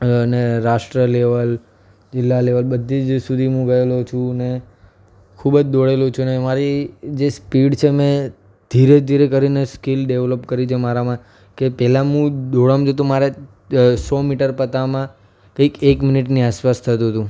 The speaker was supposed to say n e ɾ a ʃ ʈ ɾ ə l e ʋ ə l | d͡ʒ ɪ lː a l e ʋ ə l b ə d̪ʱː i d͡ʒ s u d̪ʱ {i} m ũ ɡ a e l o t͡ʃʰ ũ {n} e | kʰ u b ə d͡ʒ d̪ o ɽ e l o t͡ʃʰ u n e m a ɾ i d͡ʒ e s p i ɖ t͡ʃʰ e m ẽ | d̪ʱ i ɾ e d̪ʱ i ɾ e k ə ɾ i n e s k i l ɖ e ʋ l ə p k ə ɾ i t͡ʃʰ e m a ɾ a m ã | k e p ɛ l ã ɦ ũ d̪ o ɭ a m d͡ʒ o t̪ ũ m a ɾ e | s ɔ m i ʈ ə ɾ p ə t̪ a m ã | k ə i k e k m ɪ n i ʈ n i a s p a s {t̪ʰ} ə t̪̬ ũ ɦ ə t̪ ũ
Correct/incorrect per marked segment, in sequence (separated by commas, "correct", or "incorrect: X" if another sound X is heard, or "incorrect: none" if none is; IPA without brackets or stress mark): correct, correct, correct